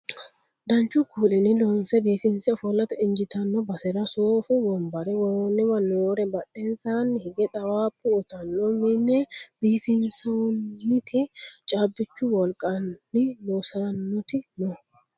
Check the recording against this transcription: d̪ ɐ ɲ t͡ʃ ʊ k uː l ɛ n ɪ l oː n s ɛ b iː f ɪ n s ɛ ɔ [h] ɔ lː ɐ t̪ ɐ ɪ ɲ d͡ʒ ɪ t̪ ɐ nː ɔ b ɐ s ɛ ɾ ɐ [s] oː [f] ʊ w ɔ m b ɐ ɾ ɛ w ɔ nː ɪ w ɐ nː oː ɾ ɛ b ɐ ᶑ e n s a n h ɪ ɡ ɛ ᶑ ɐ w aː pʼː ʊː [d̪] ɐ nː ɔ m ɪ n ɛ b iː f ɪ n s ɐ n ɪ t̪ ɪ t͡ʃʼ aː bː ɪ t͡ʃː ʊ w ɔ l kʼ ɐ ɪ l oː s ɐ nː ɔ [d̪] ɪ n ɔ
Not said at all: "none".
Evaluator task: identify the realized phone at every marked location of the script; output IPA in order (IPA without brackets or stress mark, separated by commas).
f, s, f, t̪, t̪